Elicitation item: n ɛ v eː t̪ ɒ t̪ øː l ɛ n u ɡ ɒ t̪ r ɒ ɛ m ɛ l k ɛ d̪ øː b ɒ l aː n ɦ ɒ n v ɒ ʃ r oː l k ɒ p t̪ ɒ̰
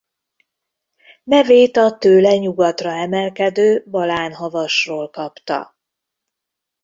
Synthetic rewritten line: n ɛ v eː t̪ ɒ t̪ øː l ɛ ɲ u ɡ ɒ t̪ r ɒ ɛ m ɛ l k ɛ d̪ øː b ɒ l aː n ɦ ɒ v ɒ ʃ r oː l k ɒ p t̪ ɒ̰